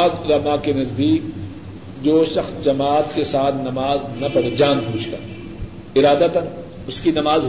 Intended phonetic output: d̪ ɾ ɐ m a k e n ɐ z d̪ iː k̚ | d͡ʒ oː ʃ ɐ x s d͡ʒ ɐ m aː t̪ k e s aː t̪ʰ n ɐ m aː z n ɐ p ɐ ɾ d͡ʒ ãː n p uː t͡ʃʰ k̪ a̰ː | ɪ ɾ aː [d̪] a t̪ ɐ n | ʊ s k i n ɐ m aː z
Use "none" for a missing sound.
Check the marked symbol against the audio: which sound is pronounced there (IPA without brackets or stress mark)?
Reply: d̪